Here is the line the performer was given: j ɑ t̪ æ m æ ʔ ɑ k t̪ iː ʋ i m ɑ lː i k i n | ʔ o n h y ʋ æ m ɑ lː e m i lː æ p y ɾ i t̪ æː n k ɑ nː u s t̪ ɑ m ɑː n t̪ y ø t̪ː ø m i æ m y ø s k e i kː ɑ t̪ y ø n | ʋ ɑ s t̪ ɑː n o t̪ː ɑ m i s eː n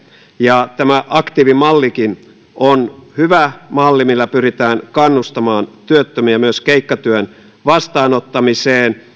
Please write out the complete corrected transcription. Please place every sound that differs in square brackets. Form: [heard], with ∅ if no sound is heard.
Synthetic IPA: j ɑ t̪ æ m æ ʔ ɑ k t̪ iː ʋ i m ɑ lː i k i n | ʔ o n h y ʋ æ m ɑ lː [i] m i lː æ p y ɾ i t̪ æː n k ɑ nː u s t̪ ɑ m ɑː n t̪ y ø t̪ː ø m i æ m y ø s k e i kː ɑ t̪ y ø n | ʋ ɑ s t̪ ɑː n o t̪ː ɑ m i s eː n

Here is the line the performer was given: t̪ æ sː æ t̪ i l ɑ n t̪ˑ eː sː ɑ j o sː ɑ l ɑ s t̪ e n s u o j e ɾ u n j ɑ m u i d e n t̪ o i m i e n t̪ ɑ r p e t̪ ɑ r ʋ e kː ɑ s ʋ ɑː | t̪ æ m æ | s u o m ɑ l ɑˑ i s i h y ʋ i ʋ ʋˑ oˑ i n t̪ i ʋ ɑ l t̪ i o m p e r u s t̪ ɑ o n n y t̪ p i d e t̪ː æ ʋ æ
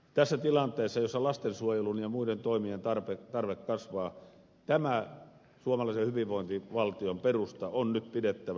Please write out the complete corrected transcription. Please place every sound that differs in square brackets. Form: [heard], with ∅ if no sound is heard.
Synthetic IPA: t̪ æ sː æ t̪ i l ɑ n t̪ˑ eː sː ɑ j o sː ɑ l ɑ s t̪ e n s u o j e [l] u n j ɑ m u i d e n t̪ o i m i e n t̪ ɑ r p e t̪ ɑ r ʋ e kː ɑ s ʋ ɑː | t̪ æ m æ | s u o m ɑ l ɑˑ i s [e] h y ʋ i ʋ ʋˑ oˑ i n t̪ i ʋ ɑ l t̪ i o m p e r u s t̪ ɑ o n n y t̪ p i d e t̪ː æ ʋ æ

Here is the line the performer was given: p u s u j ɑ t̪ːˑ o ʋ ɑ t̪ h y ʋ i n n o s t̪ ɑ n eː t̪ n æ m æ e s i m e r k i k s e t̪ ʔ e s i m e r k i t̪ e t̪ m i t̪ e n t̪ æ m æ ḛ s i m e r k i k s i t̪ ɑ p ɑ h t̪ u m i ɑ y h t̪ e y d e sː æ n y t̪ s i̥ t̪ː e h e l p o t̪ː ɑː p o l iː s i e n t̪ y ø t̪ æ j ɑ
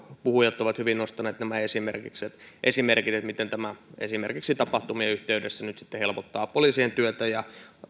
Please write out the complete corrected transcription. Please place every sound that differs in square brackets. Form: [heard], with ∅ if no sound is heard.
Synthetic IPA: p u [h] u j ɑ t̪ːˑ o ʋ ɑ t̪ h y ʋ i n n o s t̪ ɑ n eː t̪ n æ m æ e s i m e r k i k s e t̪ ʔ e s i m e r k i t̪ e t̪ m i t̪ e n t̪ æ m æ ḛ s i m e r k i k s i t̪ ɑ p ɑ h t̪ u m i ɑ y h t̪ e y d e sː æ n y t̪ s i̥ t̪ː e h e l p o t̪ː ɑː p o l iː s i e n t̪ y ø t̪ æ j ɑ

